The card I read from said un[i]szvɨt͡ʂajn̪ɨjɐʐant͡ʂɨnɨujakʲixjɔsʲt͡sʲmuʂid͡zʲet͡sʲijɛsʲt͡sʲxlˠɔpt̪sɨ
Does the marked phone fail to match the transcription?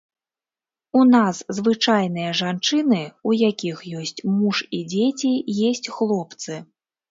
yes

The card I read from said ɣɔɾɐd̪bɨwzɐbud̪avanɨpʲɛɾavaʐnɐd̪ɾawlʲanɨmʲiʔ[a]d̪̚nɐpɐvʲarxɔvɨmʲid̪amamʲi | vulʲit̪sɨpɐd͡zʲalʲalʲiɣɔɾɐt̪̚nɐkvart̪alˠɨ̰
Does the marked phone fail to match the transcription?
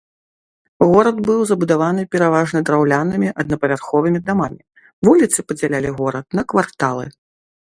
yes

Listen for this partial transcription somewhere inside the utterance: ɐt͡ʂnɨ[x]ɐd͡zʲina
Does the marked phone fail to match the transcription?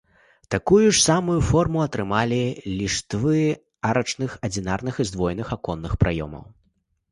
no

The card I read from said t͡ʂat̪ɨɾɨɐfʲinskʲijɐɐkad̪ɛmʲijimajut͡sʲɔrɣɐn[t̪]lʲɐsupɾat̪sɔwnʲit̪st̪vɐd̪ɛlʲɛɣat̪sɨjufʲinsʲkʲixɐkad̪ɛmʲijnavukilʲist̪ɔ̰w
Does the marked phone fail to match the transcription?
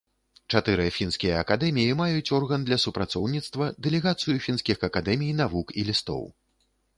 yes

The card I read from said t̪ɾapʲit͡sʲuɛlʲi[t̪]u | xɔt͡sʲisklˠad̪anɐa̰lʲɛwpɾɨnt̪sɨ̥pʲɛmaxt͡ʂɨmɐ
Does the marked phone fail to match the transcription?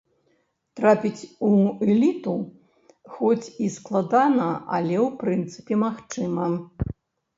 no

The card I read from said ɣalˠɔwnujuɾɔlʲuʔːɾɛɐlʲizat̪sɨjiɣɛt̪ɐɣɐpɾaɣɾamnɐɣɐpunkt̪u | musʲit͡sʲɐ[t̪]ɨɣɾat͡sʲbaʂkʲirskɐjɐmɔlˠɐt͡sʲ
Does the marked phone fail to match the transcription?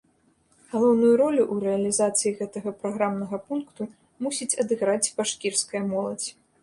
yes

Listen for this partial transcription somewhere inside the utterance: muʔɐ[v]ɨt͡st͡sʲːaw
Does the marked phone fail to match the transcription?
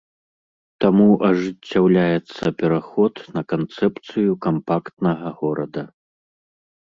yes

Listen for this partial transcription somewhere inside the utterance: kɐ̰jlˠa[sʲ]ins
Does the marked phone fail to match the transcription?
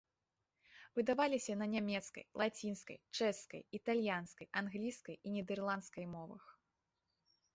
yes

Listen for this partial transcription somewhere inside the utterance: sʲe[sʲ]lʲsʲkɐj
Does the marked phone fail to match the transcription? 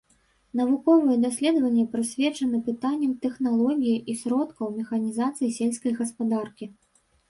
yes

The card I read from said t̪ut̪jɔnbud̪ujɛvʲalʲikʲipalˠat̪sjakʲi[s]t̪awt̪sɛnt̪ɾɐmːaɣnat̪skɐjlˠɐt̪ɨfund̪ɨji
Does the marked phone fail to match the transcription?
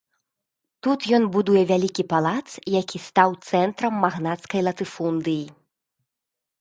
no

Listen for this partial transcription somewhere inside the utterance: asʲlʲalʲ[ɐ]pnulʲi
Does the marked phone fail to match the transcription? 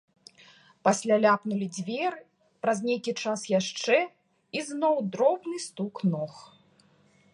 yes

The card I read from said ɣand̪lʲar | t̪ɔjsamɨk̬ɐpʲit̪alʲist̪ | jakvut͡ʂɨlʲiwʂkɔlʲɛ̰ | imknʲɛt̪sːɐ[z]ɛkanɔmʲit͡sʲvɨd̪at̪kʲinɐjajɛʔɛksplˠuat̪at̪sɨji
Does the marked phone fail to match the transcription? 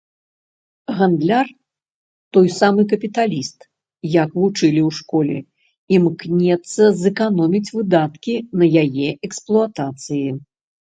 no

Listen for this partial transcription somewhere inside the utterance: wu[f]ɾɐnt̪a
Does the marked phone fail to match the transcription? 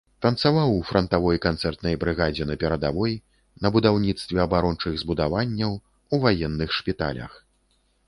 no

